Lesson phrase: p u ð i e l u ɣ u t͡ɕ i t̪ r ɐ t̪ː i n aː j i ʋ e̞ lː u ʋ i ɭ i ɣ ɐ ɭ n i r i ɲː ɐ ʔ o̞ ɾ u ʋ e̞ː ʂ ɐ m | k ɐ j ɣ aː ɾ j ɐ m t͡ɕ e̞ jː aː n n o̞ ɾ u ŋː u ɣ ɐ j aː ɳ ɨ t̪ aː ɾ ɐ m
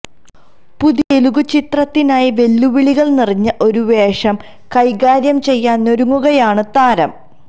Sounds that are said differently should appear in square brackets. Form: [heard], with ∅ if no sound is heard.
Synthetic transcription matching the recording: p u ð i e l u ɣ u t͡ɕ i t̪ r ɐ t̪ː i n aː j i ʋ e̞ lː u ʋ i ɭ i ɣ ɐ ɭ n i r i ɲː ɐ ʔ o̞ ɾ u ʋ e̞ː ʂ ɐ m | k ɐ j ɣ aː ɾ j ɐ m t͡ɕ e̞ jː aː n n o̞ ɾ u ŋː u ɣ ɐ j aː ɳ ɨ t̪ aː ɾ ɐ m